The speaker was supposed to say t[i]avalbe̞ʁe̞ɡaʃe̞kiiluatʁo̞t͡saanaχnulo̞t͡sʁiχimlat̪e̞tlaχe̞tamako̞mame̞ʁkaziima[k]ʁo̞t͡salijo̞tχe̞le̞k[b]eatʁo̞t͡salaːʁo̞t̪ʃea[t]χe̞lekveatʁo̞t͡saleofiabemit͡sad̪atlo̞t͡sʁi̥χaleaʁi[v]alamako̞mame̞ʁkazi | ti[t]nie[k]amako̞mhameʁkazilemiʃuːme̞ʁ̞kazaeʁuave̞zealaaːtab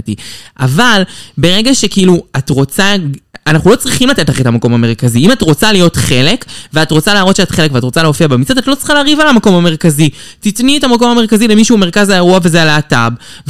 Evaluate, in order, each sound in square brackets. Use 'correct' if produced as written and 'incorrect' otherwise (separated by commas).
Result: correct, incorrect, incorrect, correct, correct, correct, incorrect